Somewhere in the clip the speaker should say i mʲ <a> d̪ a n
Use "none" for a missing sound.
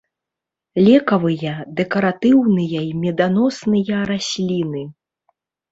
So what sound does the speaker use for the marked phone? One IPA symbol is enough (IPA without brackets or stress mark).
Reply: ɛ